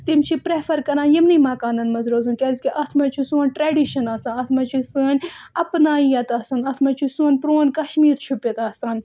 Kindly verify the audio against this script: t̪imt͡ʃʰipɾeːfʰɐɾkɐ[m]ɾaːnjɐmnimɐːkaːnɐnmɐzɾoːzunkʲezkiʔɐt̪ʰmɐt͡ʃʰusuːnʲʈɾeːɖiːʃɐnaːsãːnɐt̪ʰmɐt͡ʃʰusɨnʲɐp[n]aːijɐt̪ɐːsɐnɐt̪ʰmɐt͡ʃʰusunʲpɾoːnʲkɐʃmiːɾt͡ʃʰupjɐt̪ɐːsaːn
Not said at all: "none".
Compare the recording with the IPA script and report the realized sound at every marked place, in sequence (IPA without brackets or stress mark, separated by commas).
none, n